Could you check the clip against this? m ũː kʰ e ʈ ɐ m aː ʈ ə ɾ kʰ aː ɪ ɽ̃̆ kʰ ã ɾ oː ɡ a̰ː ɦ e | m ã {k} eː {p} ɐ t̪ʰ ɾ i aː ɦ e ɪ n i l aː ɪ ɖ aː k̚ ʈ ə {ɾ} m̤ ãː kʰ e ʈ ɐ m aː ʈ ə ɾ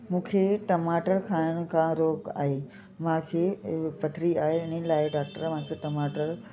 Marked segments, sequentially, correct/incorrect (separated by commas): incorrect, correct, correct